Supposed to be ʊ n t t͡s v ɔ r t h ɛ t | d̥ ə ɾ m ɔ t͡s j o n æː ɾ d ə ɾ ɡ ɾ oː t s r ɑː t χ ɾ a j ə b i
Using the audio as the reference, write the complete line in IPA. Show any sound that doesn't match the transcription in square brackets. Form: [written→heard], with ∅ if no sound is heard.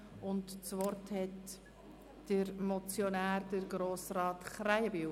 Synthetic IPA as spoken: ʊ n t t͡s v ɔ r t h ɛ t | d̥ ə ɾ m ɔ t͡s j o n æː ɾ d ə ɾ ɡ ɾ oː [t→∅] s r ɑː t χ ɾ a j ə b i